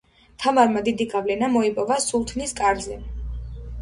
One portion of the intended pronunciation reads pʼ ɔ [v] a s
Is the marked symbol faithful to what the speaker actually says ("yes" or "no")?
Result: yes